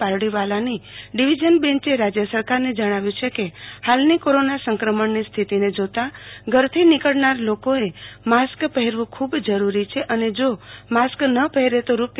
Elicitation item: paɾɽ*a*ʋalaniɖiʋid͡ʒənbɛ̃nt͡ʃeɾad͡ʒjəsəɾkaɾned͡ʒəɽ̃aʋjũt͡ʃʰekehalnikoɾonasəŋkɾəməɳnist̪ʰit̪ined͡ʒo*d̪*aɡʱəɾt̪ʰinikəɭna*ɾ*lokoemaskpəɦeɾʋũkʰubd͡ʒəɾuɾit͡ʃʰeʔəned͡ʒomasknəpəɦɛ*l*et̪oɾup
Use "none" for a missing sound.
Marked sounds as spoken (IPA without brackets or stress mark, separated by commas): i, t̪, ɾ, ɾ